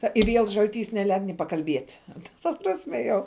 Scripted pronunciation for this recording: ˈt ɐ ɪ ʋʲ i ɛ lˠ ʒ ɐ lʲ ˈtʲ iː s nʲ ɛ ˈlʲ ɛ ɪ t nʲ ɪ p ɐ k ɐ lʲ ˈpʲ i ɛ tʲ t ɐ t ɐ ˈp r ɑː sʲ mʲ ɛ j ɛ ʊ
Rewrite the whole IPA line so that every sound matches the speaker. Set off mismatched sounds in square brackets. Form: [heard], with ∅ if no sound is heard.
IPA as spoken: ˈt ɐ ɪ ʋʲ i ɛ lˠ ʒ ɐ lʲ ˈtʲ iː s nʲ ɛ ˈlʲ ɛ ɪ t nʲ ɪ p ɐ k ɐ lʲ [ˈbʲ] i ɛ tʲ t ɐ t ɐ ˈp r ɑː sʲ mʲ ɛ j ɛ ʊ